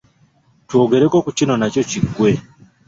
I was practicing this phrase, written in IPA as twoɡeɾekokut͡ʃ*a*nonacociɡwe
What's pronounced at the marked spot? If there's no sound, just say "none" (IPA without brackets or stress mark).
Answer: i